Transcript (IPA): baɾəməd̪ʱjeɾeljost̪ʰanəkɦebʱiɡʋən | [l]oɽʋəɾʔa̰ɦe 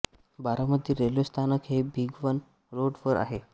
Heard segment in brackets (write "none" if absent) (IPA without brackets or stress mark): ɾ